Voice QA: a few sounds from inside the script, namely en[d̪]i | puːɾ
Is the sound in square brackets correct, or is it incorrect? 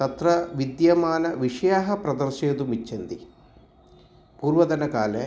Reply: correct